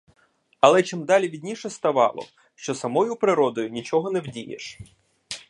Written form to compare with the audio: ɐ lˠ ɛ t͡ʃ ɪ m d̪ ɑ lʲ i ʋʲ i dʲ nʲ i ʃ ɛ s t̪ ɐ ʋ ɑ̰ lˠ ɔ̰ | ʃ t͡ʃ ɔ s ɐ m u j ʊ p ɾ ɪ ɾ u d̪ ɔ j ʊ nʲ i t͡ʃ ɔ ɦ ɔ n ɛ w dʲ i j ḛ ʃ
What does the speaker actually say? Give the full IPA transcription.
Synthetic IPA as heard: ɐ lˠ ɛ t͡ʃ ɪ m d̪ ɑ lʲ i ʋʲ i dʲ nʲ i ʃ ɛ s t̪ ɐ ʋ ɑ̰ lˠ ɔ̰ | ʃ t͡ʃ ɔ s ɐ m ɔ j ʊ p ɾ ɪ ɾ ɔ d̪ ɔ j ʊ nʲ i t͡ʃ ɔ ɦ ɔ n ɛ w dʲ i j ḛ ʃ